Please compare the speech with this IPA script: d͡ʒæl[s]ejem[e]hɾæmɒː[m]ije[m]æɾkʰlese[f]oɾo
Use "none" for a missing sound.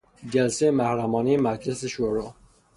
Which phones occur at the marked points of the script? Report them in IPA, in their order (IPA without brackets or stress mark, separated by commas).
s, æ, n, m, ʃ